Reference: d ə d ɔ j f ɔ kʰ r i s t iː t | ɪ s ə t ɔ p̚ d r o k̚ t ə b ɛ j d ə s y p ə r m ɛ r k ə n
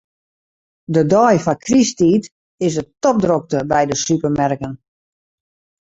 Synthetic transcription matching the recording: d ə d ɔ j f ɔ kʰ r i s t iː t | ɪ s ə t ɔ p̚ d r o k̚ t ə b ɛ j d ə s y p ə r m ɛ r k ə n